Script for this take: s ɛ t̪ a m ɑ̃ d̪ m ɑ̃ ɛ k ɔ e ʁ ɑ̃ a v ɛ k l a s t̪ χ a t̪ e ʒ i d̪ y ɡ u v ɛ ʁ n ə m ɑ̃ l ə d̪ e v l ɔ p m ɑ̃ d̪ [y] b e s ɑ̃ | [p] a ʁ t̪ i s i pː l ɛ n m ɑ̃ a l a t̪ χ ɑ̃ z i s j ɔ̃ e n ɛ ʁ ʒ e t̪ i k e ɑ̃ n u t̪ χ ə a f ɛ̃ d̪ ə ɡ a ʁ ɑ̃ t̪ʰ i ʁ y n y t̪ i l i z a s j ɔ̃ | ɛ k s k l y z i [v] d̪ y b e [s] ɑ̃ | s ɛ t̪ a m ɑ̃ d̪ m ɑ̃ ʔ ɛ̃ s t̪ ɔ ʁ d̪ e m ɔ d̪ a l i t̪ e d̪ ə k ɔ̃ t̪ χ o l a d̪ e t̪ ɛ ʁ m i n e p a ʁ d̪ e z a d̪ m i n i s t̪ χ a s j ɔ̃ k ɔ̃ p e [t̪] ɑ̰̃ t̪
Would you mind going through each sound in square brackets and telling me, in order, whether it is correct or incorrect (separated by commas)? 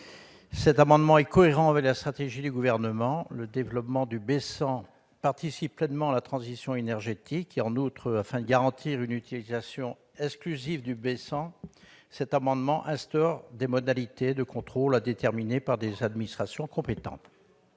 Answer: correct, correct, correct, correct, correct